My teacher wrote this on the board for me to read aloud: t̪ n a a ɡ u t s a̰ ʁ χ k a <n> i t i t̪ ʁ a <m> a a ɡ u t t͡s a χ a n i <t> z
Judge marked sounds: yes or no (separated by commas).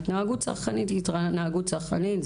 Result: yes, no, yes